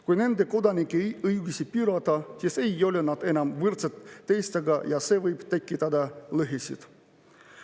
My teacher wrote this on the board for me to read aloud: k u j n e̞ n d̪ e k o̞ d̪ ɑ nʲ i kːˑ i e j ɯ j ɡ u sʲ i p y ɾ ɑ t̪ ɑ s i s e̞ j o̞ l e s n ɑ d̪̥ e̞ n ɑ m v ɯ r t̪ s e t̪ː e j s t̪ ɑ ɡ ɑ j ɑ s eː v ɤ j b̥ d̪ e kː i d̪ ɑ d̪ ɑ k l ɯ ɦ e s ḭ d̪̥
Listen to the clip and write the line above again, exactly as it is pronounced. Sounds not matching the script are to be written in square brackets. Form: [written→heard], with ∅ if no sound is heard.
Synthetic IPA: k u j n e̞ n d̪ e k o̞ d̪ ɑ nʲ i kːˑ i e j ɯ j ɡ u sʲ i p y ɾ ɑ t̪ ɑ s i s e̞ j o̞ l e [s→∅] n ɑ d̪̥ e̞ n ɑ m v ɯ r t̪ s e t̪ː e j s t̪ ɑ ɡ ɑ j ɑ s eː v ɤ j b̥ [d̪→t̪] e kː i [d̪→t̪] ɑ d̪ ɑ [k→∅] l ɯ ɦ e s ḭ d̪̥